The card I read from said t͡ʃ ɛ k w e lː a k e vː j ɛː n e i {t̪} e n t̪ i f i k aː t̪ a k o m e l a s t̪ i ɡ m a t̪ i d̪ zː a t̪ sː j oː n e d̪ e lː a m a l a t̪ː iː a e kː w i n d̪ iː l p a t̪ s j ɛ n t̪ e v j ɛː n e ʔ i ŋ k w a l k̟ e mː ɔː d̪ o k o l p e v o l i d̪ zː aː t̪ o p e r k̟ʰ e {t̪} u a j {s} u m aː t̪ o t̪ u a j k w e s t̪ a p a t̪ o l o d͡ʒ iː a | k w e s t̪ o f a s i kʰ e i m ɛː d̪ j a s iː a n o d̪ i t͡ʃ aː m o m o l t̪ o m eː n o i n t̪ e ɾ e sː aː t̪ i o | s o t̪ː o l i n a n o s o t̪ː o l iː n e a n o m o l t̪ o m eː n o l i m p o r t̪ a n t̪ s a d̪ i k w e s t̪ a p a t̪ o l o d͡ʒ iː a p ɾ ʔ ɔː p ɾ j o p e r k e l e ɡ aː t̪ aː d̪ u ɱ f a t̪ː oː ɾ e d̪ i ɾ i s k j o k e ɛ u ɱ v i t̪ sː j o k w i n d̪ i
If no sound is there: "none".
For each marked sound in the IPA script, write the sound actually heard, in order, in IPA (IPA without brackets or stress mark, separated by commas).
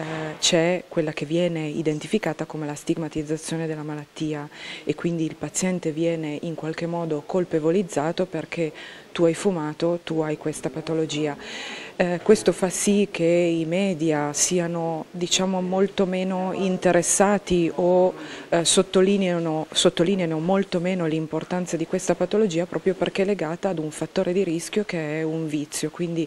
d̪, t̪, f